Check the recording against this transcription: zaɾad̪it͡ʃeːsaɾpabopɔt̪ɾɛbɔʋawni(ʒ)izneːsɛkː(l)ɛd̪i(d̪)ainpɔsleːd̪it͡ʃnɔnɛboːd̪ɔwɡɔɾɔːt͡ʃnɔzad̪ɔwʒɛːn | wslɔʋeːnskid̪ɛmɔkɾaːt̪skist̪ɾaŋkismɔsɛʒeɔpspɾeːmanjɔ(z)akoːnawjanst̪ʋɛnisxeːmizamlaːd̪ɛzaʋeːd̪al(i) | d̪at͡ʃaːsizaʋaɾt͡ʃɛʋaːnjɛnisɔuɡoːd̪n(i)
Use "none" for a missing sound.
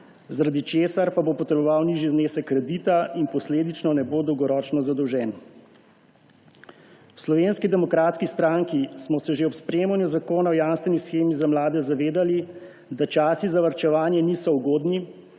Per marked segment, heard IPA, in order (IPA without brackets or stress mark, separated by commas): ʒ, ɾ, t̪, z, i, i